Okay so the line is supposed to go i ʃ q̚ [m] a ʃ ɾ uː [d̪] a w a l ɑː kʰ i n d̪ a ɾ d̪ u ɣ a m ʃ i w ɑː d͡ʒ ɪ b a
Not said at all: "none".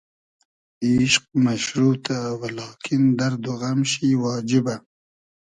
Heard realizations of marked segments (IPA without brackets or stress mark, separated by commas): m, t̪